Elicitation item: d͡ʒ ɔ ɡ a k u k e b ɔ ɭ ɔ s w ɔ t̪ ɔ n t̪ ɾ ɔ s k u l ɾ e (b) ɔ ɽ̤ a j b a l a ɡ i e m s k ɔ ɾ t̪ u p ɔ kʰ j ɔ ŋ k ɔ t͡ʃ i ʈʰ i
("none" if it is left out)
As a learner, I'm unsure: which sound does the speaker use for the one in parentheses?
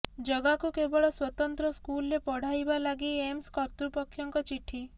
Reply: p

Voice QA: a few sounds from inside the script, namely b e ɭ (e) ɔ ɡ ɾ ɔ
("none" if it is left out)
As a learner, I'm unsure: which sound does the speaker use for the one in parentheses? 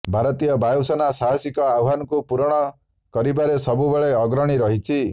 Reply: e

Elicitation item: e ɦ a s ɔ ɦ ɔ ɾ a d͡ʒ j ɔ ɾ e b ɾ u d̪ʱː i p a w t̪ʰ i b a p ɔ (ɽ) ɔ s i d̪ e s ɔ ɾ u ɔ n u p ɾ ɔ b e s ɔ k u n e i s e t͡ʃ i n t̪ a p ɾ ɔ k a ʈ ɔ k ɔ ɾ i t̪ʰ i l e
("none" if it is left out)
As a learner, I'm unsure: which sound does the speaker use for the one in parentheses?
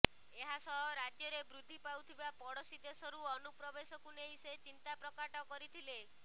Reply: ɽ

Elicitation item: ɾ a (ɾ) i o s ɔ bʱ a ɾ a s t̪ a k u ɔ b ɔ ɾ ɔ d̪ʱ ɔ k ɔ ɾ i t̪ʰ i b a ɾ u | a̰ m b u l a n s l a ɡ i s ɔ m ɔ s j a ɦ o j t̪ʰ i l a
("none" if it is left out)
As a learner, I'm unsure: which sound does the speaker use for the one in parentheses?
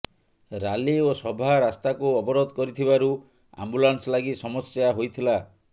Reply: l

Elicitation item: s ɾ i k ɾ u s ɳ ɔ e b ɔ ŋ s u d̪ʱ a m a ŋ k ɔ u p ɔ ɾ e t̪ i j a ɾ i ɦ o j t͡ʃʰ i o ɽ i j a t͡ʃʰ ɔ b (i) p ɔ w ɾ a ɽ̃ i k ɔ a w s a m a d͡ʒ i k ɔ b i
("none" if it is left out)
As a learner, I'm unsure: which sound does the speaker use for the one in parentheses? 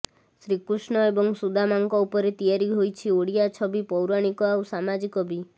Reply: i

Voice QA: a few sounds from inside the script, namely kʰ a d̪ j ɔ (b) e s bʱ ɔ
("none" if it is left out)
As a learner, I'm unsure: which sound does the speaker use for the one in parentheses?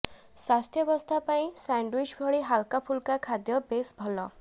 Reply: b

